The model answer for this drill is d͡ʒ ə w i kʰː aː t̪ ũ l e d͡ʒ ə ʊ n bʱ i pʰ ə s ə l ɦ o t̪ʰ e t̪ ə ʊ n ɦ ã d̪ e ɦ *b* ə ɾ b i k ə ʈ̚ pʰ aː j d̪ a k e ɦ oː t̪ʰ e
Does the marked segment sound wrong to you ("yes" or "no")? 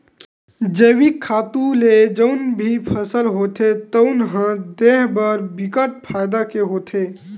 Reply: no